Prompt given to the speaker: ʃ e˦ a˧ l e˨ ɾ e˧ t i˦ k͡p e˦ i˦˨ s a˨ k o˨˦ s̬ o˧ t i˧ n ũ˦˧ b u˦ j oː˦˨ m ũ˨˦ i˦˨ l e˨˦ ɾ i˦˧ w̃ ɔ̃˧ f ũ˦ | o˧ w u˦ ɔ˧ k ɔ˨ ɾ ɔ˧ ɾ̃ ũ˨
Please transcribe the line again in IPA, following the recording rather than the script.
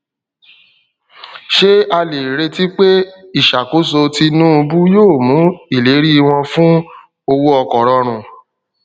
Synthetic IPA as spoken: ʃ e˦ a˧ l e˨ ɾ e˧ t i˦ k͡p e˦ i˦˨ ʃ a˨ k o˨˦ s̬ o˧ t i˧ n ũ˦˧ b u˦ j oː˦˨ m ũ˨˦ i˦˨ l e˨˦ ɾ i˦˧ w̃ ɔ̃˧ f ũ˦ | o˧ w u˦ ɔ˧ k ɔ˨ ɾ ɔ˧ ɾ̃ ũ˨

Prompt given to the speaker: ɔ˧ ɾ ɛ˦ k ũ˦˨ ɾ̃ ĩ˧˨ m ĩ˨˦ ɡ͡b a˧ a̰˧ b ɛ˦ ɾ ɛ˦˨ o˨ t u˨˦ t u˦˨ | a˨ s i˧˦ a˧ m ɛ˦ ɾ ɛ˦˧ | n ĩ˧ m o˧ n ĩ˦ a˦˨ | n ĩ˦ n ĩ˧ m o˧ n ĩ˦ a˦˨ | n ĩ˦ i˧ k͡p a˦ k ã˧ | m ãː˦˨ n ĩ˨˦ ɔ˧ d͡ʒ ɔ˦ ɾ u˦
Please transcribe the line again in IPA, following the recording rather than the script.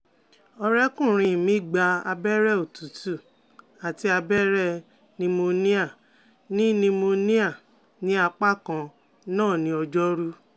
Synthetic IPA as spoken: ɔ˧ ɾ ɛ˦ k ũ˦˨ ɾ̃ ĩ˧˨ m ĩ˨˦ ɡ͡b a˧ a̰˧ b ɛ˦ ɾ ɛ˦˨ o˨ t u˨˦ t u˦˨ | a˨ t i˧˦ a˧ b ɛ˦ ɾ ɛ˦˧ | n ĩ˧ m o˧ n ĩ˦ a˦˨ | n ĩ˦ n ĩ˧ m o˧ n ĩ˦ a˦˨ | n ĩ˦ a˧ k͡p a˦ k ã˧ | n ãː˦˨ n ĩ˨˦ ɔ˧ d͡ʒ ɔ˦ ɾ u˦

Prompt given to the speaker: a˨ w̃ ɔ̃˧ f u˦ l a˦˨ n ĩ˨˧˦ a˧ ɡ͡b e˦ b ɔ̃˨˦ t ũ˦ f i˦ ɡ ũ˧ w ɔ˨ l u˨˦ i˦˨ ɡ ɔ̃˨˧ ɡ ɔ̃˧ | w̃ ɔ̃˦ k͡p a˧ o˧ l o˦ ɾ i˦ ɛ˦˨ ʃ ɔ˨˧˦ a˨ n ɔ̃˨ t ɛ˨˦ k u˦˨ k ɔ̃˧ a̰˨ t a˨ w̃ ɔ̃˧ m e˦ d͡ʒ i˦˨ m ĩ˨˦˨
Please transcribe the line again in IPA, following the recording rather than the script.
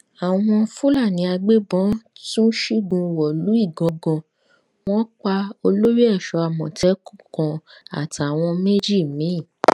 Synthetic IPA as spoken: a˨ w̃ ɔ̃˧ f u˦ l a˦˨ n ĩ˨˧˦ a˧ ɡ͡b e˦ b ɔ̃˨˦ t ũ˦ ʃ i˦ ɡ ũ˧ w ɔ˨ l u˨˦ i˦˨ ɡ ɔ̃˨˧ ɡ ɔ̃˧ | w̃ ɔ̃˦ k͡p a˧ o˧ l o˦ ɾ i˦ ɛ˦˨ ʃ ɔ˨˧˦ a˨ m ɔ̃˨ t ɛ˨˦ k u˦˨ k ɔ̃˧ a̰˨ t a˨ w̃ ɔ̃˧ m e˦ d͡ʒ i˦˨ m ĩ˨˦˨

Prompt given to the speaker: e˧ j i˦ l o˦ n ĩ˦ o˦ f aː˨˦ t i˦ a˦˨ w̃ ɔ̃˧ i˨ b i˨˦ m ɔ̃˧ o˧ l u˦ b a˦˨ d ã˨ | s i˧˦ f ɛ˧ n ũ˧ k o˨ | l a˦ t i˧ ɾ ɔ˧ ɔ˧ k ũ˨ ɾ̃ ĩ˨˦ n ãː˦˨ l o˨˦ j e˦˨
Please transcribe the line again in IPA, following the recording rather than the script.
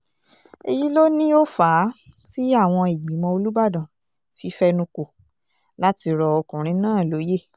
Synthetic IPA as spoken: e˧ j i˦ l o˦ n ĩ˦ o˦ f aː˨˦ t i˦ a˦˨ w̃ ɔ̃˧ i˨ ɡ͡b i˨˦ m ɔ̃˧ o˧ l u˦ b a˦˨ d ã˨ | f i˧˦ f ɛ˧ n ũ˧ k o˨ | l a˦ t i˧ ɾ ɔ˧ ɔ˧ k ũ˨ ɾ̃ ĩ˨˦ n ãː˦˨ l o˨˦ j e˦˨

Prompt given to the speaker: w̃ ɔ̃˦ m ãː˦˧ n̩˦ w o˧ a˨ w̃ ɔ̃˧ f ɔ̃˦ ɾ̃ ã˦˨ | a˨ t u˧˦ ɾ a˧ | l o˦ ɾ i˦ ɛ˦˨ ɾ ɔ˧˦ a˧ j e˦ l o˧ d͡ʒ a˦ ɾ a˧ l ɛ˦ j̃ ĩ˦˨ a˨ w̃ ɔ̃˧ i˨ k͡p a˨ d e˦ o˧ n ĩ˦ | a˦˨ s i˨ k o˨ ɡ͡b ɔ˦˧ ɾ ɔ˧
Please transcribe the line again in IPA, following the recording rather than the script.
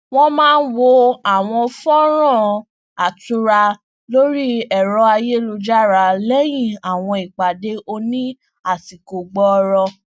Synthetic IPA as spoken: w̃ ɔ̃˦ m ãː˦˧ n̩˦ w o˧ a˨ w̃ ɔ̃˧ f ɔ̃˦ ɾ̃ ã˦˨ | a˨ t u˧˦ ɾ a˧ | l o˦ ɾ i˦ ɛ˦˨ ɾ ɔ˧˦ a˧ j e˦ l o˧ d͡ʒ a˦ ɾ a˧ l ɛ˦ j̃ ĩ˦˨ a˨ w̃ ɔ̃˧ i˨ k͡p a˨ d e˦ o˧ n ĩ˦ | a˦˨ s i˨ k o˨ ɡ͡b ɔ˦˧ ɾ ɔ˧

